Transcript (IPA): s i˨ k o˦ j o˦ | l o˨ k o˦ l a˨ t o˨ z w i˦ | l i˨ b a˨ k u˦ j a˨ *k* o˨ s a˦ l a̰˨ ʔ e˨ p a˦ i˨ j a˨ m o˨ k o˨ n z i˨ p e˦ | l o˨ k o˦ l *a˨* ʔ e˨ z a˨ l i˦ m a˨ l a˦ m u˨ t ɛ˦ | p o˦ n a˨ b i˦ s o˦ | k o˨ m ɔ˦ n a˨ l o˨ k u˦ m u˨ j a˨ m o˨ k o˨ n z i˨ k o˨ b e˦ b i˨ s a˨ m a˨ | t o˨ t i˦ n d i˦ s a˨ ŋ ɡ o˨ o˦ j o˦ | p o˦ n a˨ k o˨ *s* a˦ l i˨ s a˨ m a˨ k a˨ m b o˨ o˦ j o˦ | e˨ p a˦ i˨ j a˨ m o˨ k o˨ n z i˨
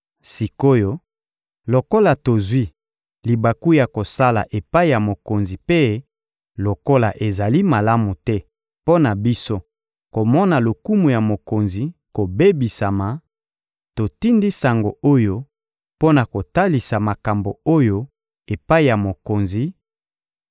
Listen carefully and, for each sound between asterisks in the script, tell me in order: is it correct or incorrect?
correct, correct, incorrect: t

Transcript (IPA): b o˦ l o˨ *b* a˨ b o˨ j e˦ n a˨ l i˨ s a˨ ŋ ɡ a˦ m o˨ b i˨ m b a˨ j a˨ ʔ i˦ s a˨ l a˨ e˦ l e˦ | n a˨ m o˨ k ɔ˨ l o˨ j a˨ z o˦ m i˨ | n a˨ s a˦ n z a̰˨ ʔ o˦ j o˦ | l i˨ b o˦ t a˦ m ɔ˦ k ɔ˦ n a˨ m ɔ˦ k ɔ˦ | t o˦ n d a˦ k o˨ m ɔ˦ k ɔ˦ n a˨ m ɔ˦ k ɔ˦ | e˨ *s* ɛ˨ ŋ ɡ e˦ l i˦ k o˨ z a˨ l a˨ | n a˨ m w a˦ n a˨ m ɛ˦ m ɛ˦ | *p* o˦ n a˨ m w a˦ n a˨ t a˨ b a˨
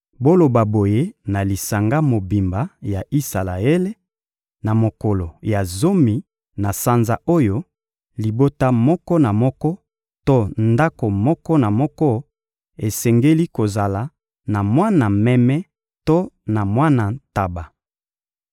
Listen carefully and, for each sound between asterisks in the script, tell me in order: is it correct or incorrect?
correct, correct, incorrect: t

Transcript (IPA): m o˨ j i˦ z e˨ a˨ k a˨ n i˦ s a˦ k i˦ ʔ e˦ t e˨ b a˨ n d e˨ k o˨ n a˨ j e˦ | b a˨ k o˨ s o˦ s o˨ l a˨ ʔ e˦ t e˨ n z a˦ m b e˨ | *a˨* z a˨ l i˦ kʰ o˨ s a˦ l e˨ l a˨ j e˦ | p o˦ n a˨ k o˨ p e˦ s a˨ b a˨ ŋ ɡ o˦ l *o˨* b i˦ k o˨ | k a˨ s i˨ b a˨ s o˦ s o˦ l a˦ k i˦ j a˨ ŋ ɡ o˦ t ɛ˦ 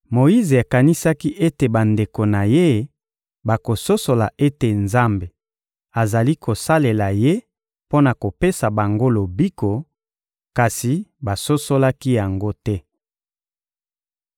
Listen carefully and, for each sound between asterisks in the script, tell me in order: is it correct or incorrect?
correct, correct

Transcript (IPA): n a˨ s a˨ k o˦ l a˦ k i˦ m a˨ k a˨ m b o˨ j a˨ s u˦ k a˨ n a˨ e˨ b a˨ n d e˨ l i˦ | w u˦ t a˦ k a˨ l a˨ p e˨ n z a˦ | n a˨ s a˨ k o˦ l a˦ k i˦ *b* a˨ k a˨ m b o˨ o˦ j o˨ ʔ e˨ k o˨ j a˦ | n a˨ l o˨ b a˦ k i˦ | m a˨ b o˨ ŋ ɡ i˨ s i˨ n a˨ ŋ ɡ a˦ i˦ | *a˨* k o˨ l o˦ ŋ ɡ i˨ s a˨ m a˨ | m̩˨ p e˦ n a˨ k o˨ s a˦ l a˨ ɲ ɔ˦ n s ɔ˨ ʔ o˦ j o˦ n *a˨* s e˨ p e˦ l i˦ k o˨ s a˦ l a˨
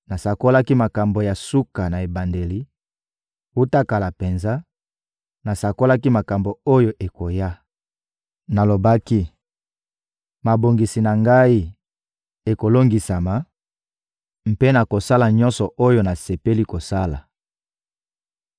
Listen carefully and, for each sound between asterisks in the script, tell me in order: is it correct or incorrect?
incorrect: m, incorrect: e˨, correct

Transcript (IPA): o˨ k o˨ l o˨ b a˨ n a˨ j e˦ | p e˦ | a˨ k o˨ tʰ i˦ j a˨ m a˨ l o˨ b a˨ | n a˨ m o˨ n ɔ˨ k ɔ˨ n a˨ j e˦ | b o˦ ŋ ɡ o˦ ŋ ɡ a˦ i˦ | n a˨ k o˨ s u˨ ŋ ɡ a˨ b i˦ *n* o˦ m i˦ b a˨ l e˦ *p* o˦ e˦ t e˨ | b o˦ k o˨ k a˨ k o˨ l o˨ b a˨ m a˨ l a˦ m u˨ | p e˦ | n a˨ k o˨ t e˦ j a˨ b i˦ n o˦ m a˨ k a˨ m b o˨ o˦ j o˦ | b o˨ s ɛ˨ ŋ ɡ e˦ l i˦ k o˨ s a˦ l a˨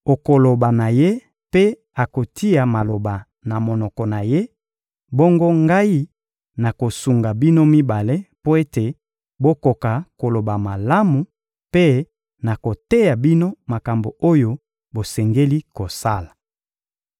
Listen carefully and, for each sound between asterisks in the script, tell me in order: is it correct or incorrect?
correct, correct

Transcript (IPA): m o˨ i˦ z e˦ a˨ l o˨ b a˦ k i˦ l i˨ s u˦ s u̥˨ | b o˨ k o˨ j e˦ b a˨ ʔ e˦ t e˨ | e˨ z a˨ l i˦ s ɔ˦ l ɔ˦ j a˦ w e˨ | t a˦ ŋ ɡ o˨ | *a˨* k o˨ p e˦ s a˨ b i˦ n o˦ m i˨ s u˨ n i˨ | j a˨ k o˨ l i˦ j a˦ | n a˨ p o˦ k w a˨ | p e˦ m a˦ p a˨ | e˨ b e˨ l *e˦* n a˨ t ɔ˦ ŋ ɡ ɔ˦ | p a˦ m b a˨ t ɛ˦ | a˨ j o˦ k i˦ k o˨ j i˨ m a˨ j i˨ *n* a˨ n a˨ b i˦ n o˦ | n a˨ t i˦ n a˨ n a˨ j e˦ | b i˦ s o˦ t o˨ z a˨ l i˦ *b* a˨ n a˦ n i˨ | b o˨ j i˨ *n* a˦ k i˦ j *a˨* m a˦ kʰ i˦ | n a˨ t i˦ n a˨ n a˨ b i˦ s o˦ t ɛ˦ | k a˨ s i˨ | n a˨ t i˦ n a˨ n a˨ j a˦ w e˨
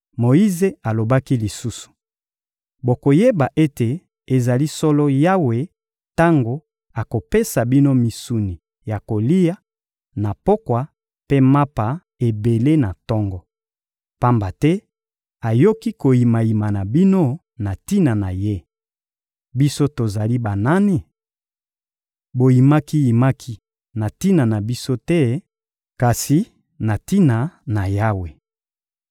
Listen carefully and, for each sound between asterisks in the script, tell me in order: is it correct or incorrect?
correct, correct, incorrect: m, correct, incorrect: m, incorrect: i˨

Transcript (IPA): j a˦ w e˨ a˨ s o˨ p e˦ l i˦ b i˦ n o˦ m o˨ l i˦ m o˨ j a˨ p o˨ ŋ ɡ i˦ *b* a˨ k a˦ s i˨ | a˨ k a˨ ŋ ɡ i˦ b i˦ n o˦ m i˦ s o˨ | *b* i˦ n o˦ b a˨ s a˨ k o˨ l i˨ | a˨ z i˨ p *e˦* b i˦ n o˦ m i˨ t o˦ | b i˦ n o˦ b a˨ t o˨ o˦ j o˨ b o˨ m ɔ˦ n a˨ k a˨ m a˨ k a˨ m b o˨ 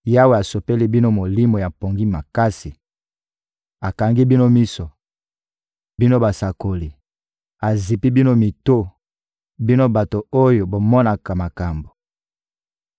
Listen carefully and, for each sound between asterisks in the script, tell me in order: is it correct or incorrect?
incorrect: m, correct, incorrect: i˦

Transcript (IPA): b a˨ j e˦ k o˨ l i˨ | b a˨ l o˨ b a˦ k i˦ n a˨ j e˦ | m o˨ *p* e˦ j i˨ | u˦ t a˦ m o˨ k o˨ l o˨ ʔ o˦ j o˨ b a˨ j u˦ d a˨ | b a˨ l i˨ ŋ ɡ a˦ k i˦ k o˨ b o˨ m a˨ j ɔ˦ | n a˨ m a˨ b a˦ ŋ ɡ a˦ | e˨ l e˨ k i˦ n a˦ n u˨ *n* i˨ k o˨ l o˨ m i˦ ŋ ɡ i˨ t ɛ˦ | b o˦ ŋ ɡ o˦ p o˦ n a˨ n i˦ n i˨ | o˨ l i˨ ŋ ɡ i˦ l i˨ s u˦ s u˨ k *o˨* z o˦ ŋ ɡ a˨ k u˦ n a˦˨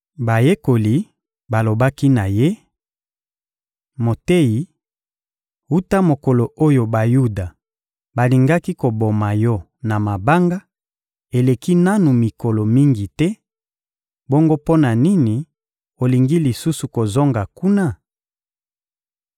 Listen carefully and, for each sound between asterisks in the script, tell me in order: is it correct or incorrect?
incorrect: t, incorrect: m, correct

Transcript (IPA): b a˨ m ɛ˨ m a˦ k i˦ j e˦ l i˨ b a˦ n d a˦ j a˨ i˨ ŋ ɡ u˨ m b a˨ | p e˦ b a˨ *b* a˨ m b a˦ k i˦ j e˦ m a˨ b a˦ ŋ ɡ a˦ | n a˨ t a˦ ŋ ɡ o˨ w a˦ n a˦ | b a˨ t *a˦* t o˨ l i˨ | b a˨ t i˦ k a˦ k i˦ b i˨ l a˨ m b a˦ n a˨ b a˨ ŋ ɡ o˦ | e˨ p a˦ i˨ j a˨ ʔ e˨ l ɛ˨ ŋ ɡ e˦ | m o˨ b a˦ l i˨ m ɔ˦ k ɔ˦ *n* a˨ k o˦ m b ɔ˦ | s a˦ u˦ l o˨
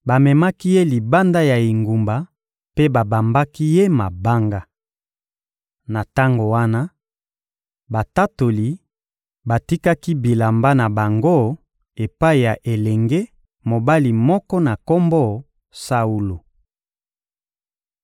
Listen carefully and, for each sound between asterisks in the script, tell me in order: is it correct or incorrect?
correct, correct, correct

